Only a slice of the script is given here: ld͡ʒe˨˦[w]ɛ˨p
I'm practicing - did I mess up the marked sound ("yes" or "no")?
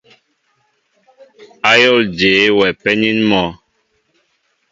no